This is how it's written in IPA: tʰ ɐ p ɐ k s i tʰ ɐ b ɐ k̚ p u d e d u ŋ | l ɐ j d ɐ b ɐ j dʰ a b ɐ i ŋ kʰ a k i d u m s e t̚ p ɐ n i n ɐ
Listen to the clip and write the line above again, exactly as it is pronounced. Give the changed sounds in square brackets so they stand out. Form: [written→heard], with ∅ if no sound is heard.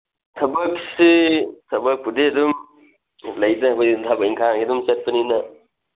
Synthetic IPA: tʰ ɐ [p→b] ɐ k s i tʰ ɐ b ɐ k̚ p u d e d u [ŋ→m] | l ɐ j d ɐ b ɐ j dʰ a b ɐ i ŋ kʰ a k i d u m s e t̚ p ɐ n i n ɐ